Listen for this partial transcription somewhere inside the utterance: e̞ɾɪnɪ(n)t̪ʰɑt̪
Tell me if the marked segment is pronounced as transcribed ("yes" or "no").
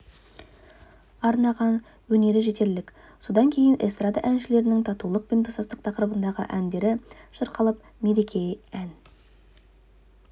no